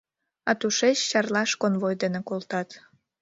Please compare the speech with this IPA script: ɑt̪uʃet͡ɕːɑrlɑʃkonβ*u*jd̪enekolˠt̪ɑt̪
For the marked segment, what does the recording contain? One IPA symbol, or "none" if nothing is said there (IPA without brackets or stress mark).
o